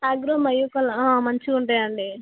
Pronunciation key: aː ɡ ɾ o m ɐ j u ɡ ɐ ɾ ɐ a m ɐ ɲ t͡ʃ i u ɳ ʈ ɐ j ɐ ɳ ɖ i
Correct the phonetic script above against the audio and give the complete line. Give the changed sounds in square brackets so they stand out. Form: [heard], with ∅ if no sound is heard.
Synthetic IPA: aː ɡ ɾ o m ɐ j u [k] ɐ [l] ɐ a m ɐ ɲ t͡ʃ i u ɳ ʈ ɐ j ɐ ɳ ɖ i